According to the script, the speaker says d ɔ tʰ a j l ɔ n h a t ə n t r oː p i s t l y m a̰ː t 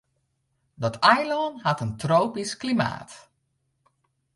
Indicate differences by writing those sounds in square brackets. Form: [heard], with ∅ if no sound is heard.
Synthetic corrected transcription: d ɔ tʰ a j l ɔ n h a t ə n t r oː p i s [k] l [i] m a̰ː t

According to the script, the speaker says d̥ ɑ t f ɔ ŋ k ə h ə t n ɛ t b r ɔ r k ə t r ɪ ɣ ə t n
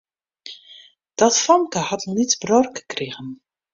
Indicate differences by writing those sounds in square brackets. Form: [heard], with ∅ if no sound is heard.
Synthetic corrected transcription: d̥ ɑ t f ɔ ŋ k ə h [ɑ] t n [i] t b r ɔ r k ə [k] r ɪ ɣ ə [∅] n

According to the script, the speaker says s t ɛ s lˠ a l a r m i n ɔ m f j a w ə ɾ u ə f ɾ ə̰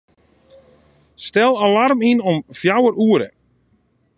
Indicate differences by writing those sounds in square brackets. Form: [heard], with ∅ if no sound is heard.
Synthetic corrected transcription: s t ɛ [∅] lˠ a l a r m i n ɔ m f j a w ə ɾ u ə [∅] ɾ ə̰

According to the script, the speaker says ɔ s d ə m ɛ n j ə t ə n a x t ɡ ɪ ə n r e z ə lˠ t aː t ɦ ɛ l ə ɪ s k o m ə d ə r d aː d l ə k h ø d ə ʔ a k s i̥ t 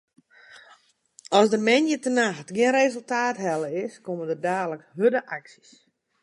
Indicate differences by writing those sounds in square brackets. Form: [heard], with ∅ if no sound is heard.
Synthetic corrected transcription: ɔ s d ə m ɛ n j ə t ə n a x t ɡ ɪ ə n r e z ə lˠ t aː t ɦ ɛ l ə ɪ s k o m ə d ə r d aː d l ə k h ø d ə ʔ a k s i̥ [s]

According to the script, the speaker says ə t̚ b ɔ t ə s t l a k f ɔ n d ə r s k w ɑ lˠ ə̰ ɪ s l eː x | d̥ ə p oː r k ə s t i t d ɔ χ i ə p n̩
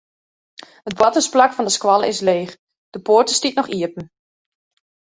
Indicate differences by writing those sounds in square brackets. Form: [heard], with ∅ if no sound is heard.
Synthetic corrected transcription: ə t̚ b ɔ t ə s [p] l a k f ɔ n d ə [∅] s k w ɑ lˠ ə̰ ɪ s l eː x | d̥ ə p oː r [t] ə s t i t [n] ɔ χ i ə p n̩

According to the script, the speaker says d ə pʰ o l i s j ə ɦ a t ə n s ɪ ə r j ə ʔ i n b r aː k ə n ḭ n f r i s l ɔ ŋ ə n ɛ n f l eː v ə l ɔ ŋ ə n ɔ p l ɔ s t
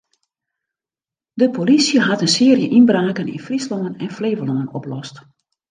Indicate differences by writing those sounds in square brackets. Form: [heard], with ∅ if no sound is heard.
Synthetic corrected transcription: d ə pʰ o l i s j ə ɦ a t ə n s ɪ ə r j ə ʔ i n b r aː k ə n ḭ n f r i s l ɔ ŋ ə n ɛ n f l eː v ə l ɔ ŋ ə n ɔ p l ɔ s t

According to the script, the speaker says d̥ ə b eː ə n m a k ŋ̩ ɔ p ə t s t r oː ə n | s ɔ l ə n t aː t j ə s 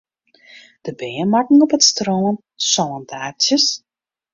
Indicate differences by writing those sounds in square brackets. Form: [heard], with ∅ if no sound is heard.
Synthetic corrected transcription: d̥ ə b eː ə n m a k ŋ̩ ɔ p ə t s t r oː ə n | s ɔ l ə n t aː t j ə s

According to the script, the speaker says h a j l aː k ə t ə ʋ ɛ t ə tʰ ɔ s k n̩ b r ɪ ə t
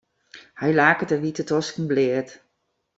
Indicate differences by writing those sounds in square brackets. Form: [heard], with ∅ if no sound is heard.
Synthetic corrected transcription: h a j l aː k ə t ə ʋ [i] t ə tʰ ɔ s k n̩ b [l] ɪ ə t

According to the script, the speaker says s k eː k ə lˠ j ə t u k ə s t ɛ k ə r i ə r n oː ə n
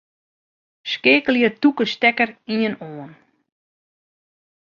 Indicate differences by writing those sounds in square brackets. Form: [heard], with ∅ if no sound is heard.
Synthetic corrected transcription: s k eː k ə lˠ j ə t u k ə s t ɛ k ə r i ə [∅] n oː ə n

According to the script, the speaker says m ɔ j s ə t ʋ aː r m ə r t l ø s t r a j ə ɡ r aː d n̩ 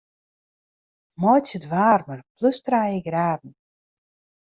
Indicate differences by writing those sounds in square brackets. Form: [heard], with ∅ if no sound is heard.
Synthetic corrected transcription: m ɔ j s ə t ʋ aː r m ə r [p] l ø s t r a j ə ɡ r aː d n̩

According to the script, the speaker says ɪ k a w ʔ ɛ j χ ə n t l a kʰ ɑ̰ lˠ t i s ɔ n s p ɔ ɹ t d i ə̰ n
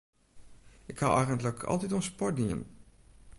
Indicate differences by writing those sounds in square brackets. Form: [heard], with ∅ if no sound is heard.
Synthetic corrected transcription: ɪ k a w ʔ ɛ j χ ə n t l [ə] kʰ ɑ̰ lˠ t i [t] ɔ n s p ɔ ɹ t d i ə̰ n

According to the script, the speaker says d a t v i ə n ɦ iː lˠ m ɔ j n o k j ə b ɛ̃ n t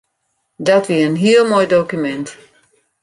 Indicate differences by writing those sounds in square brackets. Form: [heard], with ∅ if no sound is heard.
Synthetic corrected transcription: d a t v i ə n ɦ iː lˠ m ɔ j [d] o k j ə [m] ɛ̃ n t

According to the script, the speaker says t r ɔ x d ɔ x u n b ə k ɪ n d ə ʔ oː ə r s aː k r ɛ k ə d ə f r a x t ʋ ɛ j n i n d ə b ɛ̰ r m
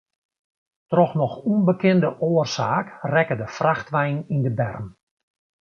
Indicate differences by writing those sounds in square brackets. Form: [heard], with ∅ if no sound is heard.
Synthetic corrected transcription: t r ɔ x [n] ɔ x u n b ə k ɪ n d ə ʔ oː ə r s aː k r ɛ k ə d ə f r a x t ʋ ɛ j n i n d ə b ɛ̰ r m

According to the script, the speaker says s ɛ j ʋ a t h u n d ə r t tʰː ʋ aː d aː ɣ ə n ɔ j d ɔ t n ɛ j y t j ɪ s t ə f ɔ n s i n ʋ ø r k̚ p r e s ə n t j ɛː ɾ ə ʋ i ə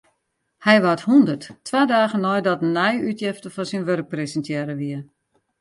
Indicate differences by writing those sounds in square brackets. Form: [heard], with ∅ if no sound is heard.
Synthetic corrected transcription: [h] ɛ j ʋ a t h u n d ə r t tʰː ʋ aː d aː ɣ ə n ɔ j d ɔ t n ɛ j y t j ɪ [f] t ə f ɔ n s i n ʋ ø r k̚ p r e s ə n t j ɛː ɾ ə ʋ i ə

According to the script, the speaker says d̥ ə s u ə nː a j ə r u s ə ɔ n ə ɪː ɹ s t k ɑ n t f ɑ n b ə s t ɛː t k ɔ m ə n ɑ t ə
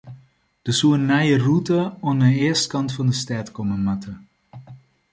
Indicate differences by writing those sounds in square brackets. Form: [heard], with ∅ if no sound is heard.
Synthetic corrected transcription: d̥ ə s u ə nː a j ə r u [t] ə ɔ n ə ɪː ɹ s t k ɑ n t f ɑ n [d] ə s t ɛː t k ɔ m ə [m] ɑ t ə

